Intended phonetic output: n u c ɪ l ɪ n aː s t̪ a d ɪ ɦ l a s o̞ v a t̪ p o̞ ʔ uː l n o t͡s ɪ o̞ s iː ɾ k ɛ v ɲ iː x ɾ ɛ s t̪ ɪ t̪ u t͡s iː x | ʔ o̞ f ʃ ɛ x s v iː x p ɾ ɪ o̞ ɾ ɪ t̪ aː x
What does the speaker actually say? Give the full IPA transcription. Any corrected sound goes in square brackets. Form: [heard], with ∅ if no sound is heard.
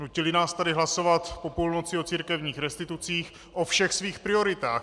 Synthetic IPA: n u c ɪ l ɪ n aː s t̪ a d ɪ ɦ l a s o̞ v a t̪ p o̞ [p] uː l n o t͡s ɪ o̞ [t͡s] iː ɾ k ɛ v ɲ iː x ɾ ɛ s t̪ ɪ t̪ u t͡s iː x | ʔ o̞ f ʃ ɛ x s v iː x p ɾ ɪ o̞ ɾ ɪ t̪ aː x